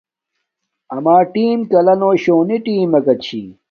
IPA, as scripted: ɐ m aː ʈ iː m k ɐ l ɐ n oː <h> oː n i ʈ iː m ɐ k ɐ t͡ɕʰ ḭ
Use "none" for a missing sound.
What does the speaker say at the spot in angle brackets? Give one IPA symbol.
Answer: ɕ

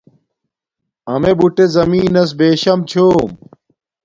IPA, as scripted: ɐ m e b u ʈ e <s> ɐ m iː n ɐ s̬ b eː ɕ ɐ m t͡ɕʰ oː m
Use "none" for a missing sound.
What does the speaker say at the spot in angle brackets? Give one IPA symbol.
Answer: z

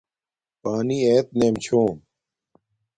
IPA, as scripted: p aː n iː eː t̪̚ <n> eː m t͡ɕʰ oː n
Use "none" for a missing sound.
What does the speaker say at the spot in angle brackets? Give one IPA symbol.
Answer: n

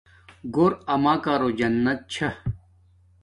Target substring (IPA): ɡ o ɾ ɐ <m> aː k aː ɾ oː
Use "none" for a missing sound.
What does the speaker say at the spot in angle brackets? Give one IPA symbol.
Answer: m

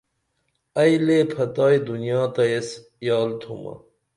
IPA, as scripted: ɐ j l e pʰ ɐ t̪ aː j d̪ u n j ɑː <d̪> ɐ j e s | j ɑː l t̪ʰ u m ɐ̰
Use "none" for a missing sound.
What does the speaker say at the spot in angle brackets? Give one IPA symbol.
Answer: t̪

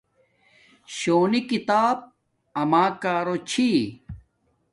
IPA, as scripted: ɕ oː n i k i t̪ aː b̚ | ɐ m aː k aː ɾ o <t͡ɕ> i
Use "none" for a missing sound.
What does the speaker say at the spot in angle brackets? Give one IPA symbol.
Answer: t͡ɕʰ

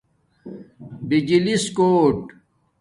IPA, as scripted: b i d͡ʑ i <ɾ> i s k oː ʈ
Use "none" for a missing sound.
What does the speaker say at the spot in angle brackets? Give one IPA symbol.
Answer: l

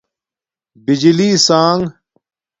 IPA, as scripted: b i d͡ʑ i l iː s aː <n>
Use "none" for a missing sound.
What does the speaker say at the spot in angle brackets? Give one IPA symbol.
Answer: ŋ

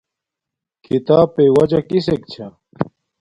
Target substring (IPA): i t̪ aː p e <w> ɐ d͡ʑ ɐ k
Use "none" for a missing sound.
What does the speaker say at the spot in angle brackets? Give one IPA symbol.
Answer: w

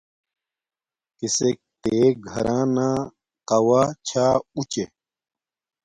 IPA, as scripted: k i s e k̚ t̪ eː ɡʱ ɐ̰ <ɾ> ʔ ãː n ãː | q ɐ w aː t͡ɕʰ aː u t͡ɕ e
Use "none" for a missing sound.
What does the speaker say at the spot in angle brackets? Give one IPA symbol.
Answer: ɾ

